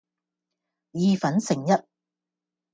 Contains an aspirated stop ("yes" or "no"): no